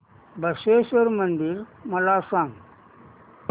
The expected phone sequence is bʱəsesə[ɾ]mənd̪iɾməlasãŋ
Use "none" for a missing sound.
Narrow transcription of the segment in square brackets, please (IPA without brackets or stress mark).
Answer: ɾ